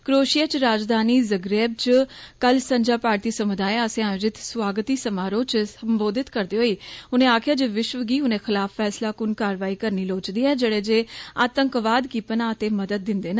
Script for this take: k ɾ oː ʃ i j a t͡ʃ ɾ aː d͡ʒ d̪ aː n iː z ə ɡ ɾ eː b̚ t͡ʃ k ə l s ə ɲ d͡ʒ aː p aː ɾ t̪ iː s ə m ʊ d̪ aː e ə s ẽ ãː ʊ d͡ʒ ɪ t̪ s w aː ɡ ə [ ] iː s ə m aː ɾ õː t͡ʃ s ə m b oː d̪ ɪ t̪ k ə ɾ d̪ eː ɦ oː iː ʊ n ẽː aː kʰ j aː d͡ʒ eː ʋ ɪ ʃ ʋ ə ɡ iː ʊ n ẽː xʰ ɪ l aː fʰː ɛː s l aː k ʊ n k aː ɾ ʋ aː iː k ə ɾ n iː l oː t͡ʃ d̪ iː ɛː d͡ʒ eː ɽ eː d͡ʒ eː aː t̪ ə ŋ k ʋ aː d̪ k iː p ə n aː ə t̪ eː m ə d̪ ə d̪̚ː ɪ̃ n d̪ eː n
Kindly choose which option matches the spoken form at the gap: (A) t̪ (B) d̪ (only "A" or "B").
A